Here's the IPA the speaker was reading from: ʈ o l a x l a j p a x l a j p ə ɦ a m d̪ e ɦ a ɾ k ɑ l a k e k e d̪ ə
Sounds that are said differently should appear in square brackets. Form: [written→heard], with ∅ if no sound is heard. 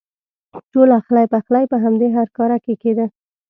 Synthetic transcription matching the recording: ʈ o l a x l a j p a x l a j p ə ɦ a m d̪ e ɦ a ɾ k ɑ [l→ɾ] a k e k e d̪ ə